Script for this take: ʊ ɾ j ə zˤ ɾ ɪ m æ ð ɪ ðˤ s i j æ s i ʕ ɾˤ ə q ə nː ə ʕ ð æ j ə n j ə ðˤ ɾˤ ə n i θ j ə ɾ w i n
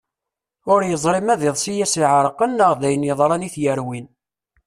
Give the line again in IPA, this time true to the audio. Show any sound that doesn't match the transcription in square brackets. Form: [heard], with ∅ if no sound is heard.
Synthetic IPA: ʊ ɾ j ə zˤ ɾ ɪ m æ ð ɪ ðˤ s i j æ s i ʕ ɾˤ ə q ə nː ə [ʁ] ð æ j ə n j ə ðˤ ɾˤ [ɑ] n i θ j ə ɾ w i n